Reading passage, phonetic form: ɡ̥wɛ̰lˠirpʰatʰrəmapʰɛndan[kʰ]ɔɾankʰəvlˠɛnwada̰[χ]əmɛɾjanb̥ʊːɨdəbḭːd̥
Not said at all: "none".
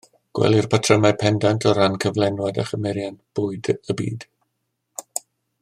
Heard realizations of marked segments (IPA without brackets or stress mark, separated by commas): tʰ, χ